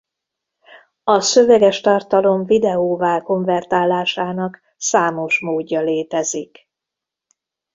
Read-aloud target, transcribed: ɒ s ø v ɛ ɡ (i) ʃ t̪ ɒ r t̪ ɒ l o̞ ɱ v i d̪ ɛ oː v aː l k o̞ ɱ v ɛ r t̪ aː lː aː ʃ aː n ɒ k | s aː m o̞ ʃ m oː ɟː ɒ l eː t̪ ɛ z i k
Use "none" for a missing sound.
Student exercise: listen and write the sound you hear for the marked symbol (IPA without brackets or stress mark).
ɛ